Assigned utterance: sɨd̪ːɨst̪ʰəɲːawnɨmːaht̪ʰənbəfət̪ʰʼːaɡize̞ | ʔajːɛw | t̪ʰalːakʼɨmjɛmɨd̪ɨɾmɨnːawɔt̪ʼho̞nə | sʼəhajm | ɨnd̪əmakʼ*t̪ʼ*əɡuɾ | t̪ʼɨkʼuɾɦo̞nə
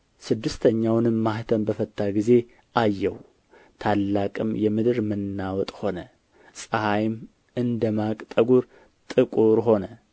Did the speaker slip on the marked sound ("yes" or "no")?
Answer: no